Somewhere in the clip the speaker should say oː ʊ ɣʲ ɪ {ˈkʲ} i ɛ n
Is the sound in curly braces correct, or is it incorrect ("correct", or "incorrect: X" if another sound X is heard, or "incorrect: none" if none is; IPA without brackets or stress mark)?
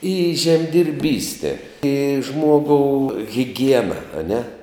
incorrect: ɡʲ